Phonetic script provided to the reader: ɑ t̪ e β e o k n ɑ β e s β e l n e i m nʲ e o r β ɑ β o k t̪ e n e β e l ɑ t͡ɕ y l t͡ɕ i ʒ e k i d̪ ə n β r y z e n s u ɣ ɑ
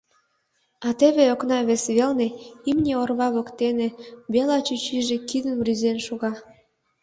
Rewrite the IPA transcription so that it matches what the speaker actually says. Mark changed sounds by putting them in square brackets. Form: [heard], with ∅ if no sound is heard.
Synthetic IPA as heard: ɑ t̪ e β e o k n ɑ β e s β e l n e i m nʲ e o r β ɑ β o k t̪ e n e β e l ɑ t͡ɕ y [∅] t͡ɕ i ʒ e k i d̪ ə n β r y z e n [ʃ] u ɣ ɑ